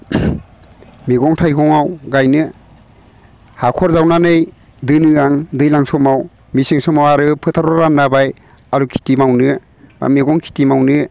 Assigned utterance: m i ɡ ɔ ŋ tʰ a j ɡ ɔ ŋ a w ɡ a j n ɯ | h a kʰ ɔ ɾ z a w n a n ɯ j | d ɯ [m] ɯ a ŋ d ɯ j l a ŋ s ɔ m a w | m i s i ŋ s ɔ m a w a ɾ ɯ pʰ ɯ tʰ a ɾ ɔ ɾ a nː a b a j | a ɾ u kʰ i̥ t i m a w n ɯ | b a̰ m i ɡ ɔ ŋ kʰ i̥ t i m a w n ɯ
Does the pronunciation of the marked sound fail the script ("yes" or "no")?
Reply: yes